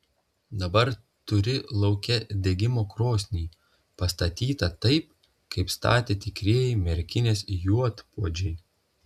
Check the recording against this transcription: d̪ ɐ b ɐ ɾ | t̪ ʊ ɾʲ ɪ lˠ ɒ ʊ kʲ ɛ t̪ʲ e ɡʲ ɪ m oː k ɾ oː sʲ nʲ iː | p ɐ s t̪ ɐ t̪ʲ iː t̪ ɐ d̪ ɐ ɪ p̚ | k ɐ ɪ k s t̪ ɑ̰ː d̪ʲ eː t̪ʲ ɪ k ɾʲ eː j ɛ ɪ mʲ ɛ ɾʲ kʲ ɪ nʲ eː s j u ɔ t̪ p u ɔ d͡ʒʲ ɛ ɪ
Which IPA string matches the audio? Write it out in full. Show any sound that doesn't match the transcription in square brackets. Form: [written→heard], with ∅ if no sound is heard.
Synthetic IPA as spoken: d̪ ɐ b ɐ ɾ | t̪ ʊ ɾʲ ɪ lˠ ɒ ʊ kʲ ɛ [t̪ʲ→d̪ʲ] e ɡʲ ɪ m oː k ɾ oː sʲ nʲ iː | p ɐ s t̪ ɐ t̪ʲ iː t̪ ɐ [d̪→t̪] ɐ ɪ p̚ | k ɐ ɪ [k→p] s t̪ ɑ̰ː [d̪ʲ→t̪ʲ] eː t̪ʲ ɪ k ɾʲ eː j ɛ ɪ mʲ ɛ ɾʲ kʲ ɪ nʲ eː s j u ɔ t̪ p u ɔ d͡ʒʲ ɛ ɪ